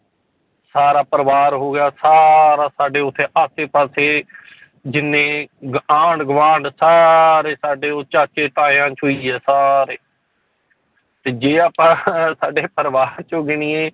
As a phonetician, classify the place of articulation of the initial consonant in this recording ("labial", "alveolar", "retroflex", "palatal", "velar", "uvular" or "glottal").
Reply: alveolar